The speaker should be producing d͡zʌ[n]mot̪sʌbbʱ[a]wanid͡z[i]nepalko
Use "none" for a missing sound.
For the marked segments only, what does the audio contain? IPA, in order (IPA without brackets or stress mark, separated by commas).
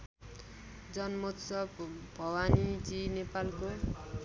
n, ʌ, i